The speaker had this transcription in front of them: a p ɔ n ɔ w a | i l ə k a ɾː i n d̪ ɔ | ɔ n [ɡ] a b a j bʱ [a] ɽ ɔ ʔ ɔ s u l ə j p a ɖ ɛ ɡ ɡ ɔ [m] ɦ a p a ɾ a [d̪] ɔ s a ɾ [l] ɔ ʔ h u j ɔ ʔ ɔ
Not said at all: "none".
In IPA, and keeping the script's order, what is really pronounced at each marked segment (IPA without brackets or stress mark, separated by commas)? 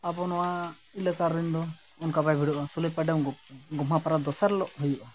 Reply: k, i, m, d̪, l